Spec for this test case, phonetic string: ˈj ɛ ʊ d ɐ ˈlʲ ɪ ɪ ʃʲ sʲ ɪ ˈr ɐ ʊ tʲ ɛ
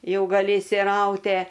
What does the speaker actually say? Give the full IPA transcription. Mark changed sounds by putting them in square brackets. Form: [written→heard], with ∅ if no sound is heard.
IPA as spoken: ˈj ɛ ʊ [d→ɡ] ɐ ˈlʲ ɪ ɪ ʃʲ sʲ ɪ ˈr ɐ ʊ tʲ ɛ